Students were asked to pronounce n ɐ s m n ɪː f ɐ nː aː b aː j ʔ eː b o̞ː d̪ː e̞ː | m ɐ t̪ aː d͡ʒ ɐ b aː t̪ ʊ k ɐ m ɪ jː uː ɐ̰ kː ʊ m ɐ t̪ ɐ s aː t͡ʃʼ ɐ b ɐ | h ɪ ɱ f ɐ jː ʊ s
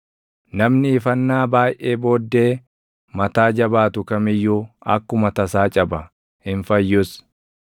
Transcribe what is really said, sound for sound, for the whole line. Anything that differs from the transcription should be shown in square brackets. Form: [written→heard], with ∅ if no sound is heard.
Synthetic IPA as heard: n ɐ [s→∅] m n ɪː f ɐ nː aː b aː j ʔ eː b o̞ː d̪ː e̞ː | m ɐ t̪ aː d͡ʒ ɐ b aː t̪ ʊ k ɐ m ɪ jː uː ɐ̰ kː ʊ m ɐ t̪ ɐ s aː t͡ʃʼ ɐ b ɐ | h ɪ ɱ f ɐ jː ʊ s